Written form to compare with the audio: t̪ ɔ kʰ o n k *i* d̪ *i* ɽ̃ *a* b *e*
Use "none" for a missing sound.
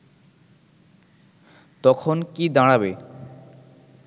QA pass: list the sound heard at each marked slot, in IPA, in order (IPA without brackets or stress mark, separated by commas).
i, a, a, e